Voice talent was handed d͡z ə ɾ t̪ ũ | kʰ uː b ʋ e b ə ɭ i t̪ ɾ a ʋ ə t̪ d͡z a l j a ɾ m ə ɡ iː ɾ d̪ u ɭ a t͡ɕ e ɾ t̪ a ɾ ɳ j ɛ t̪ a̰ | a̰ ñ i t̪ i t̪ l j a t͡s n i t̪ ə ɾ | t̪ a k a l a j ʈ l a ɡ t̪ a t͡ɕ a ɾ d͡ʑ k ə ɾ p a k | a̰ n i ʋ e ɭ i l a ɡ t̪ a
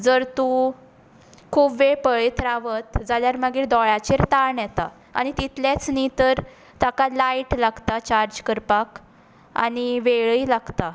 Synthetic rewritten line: d͡z ə ɾ t̪ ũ | kʰ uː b ʋ e p ə ɭ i t̪ ɾ a ʋ ə t̪ d͡z a l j a ɾ m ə ɡ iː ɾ d̪ ɔ ɭ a t͡ɕ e ɾ t̪ a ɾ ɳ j ɛ t̪ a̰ | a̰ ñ i t̪ i t̪ l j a t͡s n i t̪ ə ɾ | t̪ a k a l a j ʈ l a ɡ t̪ a t͡ɕ a ɾ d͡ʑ k ə ɾ p a k | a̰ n i ʋ e ɭ i l a ɡ t̪ a